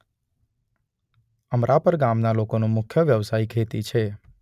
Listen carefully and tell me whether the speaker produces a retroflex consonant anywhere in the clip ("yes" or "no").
no